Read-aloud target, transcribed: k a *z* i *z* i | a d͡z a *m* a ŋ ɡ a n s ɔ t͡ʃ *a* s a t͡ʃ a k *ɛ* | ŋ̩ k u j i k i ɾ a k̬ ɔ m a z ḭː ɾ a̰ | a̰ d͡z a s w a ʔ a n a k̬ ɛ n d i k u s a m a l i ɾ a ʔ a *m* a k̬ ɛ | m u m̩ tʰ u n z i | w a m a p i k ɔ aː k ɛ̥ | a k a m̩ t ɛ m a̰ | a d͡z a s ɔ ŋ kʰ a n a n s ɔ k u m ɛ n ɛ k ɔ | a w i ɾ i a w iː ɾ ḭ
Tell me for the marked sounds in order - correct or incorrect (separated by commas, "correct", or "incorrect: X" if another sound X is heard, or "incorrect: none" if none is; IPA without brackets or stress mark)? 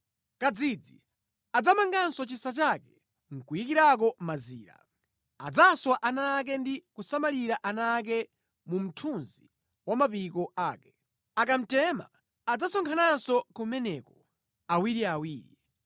incorrect: d͡z, incorrect: d͡z, correct, incorrect: i, correct, incorrect: n